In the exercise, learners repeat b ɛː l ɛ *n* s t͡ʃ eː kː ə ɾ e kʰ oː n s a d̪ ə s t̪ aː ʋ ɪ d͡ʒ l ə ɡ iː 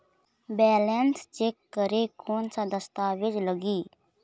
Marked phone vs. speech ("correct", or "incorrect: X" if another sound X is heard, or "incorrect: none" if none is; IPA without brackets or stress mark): correct